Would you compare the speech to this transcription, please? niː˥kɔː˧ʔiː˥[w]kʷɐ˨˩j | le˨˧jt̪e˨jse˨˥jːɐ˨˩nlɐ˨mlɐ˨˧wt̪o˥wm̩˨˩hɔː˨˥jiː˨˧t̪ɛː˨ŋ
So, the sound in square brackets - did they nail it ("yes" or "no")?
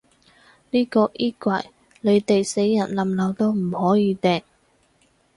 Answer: no